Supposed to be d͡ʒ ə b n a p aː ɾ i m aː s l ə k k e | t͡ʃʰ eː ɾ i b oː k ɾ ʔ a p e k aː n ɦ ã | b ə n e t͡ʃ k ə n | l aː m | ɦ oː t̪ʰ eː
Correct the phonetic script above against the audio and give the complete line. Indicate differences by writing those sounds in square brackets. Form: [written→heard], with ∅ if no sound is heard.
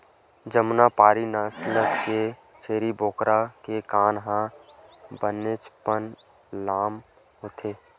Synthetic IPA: d͡ʒ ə [b→m] n a p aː ɾ i [m→n] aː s l ə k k e | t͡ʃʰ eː ɾ i b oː k ɾ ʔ a [p→k] e k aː n ɦ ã | b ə n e t͡ʃ [k→p] ə n | l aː m | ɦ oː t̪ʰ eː